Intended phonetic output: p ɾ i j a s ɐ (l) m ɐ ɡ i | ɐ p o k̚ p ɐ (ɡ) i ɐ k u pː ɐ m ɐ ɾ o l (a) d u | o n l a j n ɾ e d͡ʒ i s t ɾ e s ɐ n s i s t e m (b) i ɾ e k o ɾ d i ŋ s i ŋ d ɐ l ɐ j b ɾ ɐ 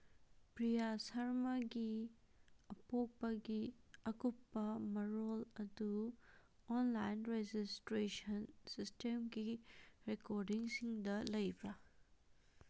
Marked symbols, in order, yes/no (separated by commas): no, yes, no, no